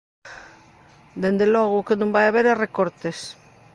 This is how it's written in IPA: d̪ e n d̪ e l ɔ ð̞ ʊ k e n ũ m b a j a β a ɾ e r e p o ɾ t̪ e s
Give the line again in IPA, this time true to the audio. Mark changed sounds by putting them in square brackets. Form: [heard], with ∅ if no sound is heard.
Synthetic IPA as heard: d̪ e n d̪ e l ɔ [ɣ̞] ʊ k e n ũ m b a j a β [e] ɾ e r e [k] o ɾ t̪ e s